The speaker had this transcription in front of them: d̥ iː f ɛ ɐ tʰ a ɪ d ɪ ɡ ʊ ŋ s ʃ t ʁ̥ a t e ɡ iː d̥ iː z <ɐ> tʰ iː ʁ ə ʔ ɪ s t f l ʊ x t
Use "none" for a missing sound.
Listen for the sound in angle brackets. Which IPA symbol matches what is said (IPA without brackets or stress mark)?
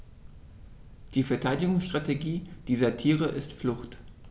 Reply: ɐ